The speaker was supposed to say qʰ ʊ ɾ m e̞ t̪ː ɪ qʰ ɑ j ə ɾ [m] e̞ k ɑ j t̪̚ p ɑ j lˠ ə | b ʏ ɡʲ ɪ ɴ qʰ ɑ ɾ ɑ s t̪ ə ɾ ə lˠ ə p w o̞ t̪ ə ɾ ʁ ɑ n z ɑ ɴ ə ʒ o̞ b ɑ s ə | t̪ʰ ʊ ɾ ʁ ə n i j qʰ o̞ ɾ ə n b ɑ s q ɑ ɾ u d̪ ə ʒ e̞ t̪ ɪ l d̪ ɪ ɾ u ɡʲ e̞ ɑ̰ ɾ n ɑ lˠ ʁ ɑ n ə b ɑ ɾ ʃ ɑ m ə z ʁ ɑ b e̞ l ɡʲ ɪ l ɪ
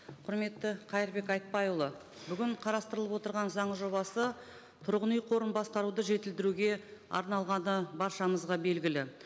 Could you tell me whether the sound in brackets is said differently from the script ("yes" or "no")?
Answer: yes